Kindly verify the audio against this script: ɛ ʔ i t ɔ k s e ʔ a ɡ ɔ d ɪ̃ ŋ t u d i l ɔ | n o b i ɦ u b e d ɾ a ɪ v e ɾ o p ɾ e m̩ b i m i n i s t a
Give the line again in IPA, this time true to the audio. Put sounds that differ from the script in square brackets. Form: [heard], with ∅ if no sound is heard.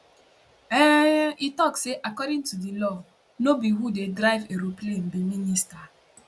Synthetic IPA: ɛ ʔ i t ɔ k s e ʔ a [k] ɔ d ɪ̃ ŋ t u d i l ɔ | n o b i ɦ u [d] e d ɾ a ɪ v e ɾ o p [l] e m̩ b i m i n i s t a